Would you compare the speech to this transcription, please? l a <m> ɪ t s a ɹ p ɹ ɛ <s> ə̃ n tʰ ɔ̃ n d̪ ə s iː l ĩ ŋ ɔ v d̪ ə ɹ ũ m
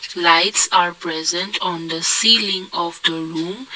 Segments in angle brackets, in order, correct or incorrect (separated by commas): incorrect, incorrect